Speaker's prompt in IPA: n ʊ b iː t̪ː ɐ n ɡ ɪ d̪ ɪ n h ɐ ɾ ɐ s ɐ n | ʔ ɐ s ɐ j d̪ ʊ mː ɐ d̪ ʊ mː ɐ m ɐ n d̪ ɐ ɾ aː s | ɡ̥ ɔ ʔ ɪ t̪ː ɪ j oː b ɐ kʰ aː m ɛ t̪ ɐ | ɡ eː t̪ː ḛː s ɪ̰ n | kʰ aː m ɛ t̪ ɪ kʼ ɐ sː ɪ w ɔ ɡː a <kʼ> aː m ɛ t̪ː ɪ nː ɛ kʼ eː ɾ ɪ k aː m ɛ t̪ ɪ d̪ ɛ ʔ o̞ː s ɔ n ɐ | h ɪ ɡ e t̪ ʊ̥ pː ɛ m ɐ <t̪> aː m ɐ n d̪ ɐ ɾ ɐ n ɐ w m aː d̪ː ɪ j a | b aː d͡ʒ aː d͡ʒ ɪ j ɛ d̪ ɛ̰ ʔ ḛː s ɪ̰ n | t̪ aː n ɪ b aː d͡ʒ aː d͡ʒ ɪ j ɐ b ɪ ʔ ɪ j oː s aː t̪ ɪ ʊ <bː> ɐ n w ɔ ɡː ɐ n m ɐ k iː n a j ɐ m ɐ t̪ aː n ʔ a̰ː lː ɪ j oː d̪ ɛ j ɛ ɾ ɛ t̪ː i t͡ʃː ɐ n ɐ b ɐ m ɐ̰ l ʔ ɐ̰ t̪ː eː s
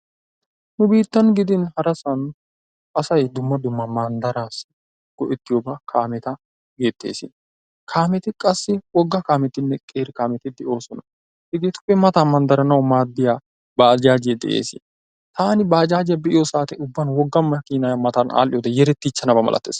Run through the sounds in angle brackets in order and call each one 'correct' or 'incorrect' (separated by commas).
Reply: incorrect, correct, correct